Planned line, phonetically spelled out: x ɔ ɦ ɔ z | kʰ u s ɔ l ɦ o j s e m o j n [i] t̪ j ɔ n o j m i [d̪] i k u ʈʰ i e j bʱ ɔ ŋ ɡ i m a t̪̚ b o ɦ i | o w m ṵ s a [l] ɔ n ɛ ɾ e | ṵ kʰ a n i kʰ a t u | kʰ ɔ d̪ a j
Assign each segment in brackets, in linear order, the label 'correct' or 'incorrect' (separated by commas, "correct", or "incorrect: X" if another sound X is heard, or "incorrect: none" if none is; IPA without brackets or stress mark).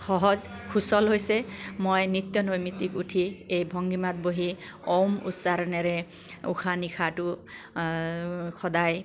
correct, incorrect: t̪, incorrect: ɾ